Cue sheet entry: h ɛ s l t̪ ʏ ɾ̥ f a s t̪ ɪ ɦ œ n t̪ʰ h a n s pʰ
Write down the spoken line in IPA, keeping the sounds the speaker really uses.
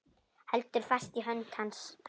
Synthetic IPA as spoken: h ɛ l t̪ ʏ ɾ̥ f a s t̪ i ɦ œ n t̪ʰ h a n s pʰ